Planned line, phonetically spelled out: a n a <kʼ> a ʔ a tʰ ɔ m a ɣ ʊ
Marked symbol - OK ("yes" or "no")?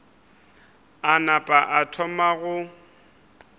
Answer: no